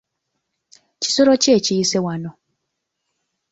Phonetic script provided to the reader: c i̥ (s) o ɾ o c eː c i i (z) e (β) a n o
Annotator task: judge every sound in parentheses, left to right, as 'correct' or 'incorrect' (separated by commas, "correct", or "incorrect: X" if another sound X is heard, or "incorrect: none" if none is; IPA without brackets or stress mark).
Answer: correct, incorrect: s, incorrect: w